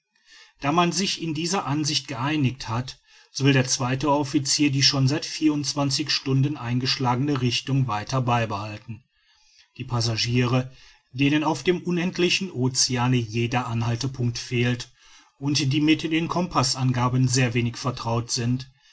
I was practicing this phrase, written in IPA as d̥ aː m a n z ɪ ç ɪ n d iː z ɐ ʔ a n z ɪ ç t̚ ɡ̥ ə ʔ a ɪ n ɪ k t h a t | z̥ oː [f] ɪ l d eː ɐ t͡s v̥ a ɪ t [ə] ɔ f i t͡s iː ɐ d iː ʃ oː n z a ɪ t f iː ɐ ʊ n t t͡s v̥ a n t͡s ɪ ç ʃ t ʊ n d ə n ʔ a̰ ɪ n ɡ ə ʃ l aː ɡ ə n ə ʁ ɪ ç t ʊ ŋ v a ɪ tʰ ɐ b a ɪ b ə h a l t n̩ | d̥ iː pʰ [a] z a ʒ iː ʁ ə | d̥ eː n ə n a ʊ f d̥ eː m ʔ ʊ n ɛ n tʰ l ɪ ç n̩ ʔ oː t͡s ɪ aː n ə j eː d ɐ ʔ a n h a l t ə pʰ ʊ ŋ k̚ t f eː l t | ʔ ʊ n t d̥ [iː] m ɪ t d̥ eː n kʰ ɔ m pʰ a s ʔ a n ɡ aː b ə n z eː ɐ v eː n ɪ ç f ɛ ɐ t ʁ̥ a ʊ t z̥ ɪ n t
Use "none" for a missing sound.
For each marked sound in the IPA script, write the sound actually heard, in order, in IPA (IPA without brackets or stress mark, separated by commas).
v, ə, a, iː